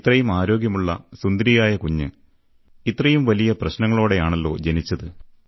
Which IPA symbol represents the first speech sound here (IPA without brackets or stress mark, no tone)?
t̪